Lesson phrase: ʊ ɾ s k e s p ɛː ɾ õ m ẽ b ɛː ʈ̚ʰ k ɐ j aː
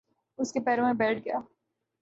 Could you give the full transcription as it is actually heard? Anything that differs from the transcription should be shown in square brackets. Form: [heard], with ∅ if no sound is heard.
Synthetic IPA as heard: ʊ [∅] s k e [∅] p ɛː ɾ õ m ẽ b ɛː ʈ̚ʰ [ɡ] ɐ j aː